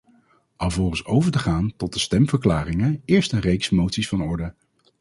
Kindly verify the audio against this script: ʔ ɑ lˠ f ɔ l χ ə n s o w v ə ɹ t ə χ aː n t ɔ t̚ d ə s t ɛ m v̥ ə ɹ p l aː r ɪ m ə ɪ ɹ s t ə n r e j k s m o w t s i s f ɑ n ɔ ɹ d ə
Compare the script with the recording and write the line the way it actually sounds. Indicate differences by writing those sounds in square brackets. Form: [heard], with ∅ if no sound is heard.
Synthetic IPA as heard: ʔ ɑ lˠ [v] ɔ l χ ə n s o w v ə ɹ t ə χ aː n t ɔ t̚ d ə s t ɛ m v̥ ə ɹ [k] l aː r ɪ [ŋ] ə [ɪː] ɹ s t ə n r e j k s m o w t s i s f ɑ n ɔ ɹ d ə

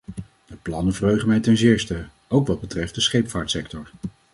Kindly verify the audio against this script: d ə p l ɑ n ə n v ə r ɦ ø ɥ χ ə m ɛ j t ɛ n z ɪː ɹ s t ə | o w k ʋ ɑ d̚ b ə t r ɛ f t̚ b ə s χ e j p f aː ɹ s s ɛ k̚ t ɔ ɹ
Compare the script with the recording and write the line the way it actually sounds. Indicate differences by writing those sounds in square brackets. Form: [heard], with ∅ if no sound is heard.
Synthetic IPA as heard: d ə p l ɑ n ə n v ə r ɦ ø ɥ χ ə m ɛ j t ɛ n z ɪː ɹ s t ə | o w k ʋ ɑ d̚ b ə t r ɛ f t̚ [d] ə s χ e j p f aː ɹ [t] s ɛ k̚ t ɔ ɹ

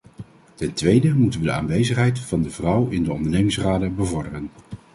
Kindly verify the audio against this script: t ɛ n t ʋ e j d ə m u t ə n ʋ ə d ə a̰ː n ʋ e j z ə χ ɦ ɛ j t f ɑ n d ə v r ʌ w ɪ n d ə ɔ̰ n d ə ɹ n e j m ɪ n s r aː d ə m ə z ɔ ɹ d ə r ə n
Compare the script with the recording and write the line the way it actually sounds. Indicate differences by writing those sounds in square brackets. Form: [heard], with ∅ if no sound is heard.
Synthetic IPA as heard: t ɛ n t ʋ e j d ə m u t ə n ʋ ə d ə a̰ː n ʋ e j z ə χ ɦ ɛ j t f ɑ n d ə v r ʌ w ɪ n d ə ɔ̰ n d ə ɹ n e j m ɪ [ŋ] s r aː d ə [b] ə [v] ɔ ɹ d ə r ə n

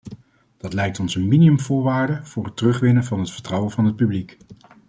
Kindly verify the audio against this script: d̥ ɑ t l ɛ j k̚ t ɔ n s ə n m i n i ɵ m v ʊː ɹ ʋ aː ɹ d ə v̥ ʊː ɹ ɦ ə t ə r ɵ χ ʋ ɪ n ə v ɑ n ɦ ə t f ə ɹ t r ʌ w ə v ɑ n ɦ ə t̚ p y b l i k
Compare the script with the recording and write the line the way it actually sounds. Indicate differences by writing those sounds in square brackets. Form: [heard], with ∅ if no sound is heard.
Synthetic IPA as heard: d̥ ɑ t l ɛ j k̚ t ɔ n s ə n m i n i ɵ m v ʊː ɹ ʋ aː ɹ d ə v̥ ʊː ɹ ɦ ə t ə r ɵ χ ʋ ɪ n ə v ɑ n ɦ ə t f ə ɹ t r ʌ w ə v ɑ n ɦ ə t̚ p y b l i k

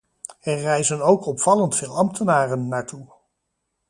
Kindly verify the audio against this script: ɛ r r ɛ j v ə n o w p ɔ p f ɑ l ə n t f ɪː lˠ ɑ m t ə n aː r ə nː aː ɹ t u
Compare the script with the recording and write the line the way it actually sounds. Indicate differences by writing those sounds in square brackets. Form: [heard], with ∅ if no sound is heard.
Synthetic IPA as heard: ɛ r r ɛ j [z] ə n o w [k] ɔ p f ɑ l ə n t f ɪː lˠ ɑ m t ə n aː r ə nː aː ɹ t u

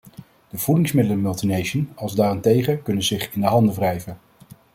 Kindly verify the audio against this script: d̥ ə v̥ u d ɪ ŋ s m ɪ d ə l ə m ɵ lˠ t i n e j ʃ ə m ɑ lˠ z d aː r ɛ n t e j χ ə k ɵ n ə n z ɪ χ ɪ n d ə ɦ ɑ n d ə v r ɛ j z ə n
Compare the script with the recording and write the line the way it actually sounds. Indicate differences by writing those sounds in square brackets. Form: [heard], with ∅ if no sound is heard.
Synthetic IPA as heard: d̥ ə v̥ u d ɪ ŋ s m ɪ d ə l ə m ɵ lˠ t i n e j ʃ ə [n] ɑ lˠ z d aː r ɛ n t e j χ ə k ɵ n ə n z ɪ χ ɪ n d ə ɦ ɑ n d ə v r ɛ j [v] ə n

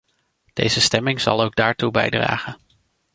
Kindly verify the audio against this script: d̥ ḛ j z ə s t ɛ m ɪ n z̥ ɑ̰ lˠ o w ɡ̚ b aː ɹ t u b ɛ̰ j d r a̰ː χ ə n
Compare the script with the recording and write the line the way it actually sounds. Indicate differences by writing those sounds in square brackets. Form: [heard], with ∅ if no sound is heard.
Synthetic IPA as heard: d̥ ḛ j z ə s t ɛ m ɪ [ŋ] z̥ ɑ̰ lˠ o w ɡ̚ [d] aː ɹ t u b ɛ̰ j d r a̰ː χ ə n

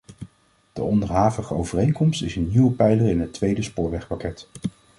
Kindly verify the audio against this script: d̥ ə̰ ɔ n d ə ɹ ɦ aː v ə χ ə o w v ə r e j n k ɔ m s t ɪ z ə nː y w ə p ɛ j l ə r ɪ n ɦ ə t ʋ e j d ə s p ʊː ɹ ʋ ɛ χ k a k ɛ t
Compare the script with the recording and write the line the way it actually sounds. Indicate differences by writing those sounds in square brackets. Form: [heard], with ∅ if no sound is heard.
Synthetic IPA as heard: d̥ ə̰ ɔ n d ə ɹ ɦ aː v ə χ ə o w v ə r e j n k ɔ m s t ɪ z ə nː [i] w ə p ɛ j l ə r ɪ n ɦ ə t ʋ e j d ə s p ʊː ɹ ʋ ɛ χ [p] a k ɛ t

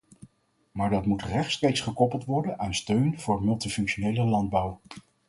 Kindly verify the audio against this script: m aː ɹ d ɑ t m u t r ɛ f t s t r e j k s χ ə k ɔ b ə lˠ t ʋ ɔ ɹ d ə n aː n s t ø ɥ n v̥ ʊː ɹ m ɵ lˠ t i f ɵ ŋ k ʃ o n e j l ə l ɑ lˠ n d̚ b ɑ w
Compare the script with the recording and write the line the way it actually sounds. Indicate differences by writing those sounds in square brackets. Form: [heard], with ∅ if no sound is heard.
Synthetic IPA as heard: m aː ɹ d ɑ t m u t r ɛ [χ] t s t r e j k s χ ə k ɔ [p] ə lˠ t ʋ ɔ ɹ d ə n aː n s t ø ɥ n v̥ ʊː ɹ m ɵ lˠ t i f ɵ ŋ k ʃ o n e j l ə l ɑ [∅] n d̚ b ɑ w

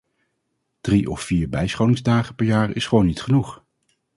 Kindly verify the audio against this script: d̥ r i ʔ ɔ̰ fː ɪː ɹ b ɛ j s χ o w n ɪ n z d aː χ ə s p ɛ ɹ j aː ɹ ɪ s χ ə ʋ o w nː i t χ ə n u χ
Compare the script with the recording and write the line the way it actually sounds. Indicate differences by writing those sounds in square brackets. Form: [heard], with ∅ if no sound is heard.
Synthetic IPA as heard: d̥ r i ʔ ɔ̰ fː [iː] ɹ b ɛ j s χ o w n ɪ [ŋ] z d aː χ ə [∅] p ɛ ɹ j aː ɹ ɪ s χ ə ʋ o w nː i t χ ə n u χ

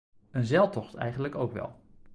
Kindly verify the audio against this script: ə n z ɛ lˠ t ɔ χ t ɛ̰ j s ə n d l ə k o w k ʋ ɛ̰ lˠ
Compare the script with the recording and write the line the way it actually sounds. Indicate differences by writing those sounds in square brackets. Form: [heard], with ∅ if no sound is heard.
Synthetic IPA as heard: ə n z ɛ lˠ t ɔ χ t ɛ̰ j [χ] ə n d l ə k o w k ʋ ɛ̰ lˠ

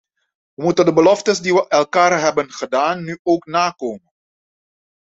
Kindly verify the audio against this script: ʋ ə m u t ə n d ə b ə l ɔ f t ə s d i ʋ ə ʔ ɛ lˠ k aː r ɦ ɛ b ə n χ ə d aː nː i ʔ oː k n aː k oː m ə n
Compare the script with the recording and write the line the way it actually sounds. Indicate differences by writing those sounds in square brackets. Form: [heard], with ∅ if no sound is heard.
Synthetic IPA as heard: ʋ ə m u t ə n d ə b ə l ɔ f t ə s d i ʋ ə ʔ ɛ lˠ k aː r ɦ ɛ b ə n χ ə d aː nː [y] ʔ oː k n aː k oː m ə n

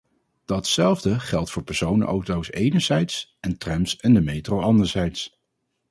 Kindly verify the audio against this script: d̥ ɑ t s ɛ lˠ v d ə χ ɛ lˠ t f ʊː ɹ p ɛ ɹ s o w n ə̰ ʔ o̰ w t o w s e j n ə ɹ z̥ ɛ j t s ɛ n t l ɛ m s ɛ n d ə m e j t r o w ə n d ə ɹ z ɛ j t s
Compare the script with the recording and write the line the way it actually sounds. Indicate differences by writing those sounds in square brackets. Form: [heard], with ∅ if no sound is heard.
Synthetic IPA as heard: d̥ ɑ t s ɛ lˠ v d ə χ ɛ lˠ t f ʊː ɹ p ɛ ɹ s o w n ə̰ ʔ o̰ w t o w s e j n ə ɹ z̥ ɛ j t s ɛ n t [r] ɛ m s ɛ n d ə m e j t r o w [ɑ] n d ə ɹ z ɛ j t s

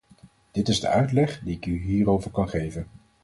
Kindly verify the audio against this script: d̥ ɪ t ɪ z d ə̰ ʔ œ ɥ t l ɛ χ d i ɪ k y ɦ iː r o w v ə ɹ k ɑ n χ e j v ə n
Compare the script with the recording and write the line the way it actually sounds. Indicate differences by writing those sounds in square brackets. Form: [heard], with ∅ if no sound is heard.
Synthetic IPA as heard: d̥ ɪ t ɪ z d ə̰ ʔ œ ɥ t l ɛ χ d i ɪ k y ɦ iː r o w v ə ɹ k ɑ n χ e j v ə n

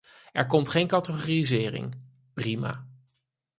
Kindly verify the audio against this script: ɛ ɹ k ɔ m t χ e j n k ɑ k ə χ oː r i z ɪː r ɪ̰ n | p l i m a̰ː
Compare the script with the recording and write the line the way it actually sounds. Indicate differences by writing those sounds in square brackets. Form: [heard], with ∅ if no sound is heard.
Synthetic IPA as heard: ɛ ɹ k ɔ m t χ e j n k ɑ [t] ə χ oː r i z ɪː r ɪ̰ [ŋ] | p [r] i m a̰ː

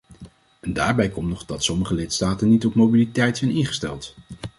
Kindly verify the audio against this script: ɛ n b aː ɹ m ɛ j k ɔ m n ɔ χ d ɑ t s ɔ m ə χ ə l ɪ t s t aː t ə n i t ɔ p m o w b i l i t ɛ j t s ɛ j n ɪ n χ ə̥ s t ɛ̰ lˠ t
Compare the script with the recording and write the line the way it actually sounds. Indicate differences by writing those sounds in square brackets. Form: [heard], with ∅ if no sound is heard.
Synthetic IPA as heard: ɛ n [d] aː ɹ [b] ɛ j k ɔ m n ɔ χ d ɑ t s ɔ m ə χ ə l ɪ t s t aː t ə n i t ɔ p m o w b i l i t ɛ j t s ɛ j n ɪ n χ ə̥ s t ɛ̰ lˠ t

